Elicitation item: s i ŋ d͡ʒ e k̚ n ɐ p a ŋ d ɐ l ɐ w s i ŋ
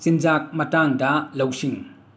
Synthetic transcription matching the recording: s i n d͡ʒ a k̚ m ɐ t a ŋ d ɐ l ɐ w s i ŋ